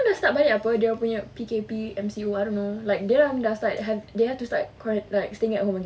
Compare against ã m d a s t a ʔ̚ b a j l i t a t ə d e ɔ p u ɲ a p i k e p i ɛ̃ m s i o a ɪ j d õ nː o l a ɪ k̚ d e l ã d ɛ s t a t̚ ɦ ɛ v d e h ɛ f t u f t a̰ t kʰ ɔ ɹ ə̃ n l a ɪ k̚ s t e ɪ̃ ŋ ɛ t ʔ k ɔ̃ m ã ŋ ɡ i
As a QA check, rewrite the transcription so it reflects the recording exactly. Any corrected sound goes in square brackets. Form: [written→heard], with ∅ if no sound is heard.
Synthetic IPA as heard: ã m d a s t a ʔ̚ b a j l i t a [t→p] ə d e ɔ p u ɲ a p i k e p i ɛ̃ m s i o a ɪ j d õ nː o l a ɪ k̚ d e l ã d [ɛ→a] s t a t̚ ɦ ɛ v d e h ɛ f t u [f→s] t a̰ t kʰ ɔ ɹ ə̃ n l a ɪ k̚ s t e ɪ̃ ŋ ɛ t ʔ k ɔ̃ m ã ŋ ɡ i